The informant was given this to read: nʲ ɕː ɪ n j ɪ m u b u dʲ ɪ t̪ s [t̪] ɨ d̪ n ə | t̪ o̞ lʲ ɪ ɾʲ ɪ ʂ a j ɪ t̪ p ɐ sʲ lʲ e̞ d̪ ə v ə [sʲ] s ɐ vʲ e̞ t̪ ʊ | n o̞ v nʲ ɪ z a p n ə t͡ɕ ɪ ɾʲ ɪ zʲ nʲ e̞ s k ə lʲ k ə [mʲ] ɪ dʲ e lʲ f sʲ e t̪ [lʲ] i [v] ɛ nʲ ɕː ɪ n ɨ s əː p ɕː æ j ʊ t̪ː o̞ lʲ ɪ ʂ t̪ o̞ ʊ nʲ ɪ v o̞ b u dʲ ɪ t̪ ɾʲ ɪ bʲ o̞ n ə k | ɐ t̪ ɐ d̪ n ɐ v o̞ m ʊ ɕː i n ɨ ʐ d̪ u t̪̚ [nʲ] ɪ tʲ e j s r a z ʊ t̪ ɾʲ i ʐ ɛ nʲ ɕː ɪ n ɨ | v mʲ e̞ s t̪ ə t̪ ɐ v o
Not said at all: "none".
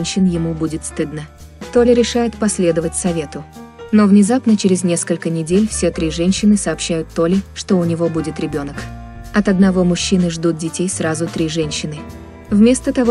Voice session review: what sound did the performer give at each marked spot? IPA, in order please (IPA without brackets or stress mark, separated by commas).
t̪, tʲ, nʲ, ɾʲ, ʐ, dʲ